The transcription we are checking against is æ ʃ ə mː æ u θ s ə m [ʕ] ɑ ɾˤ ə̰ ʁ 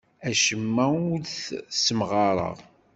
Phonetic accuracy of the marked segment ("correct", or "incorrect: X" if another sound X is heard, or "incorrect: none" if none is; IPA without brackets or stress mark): incorrect: ʁ